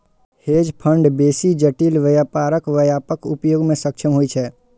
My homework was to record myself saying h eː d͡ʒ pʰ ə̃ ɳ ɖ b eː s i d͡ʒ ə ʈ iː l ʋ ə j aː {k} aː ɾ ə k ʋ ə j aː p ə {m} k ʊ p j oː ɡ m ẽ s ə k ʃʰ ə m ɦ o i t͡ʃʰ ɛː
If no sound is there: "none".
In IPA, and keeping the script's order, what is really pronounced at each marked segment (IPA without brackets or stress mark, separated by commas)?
p, none